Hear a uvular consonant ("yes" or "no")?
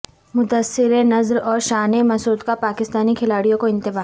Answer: no